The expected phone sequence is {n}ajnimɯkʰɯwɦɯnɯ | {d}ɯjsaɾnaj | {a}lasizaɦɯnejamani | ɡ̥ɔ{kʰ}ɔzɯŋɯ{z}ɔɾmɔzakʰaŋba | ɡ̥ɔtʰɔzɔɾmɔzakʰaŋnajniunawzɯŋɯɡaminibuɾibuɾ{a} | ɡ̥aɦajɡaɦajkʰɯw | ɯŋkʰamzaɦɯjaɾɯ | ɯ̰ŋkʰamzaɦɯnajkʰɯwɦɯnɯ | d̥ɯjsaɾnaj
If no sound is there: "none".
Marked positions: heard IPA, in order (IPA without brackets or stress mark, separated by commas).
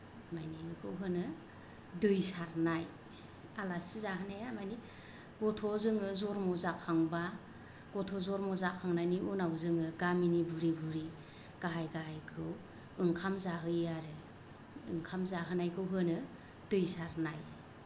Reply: m, d, a, tʰ, z, i